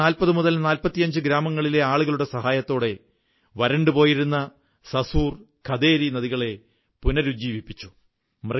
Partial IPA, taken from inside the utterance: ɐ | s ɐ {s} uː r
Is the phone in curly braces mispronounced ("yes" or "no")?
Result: no